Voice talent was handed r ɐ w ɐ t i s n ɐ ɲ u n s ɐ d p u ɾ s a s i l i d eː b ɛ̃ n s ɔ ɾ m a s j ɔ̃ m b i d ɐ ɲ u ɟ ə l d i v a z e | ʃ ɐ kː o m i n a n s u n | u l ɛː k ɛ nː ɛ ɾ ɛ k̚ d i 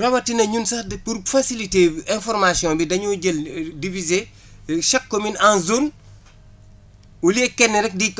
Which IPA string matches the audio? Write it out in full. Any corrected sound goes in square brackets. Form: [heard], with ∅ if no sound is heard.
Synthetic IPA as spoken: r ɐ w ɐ t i [∅] n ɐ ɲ u n s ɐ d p u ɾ [f] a s i l i [t] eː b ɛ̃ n [f] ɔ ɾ m a s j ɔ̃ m b i d ɐ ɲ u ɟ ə l d i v [i] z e | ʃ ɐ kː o m i n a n [z] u n | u l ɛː k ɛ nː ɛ ɾ ɛ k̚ d i